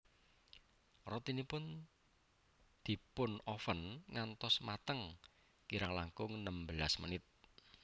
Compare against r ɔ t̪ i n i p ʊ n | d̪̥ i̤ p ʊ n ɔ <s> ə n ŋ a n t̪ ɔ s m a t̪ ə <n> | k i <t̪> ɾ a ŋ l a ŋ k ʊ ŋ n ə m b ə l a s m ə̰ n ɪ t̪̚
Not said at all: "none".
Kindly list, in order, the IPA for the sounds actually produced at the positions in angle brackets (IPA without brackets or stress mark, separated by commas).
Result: f, ŋ, none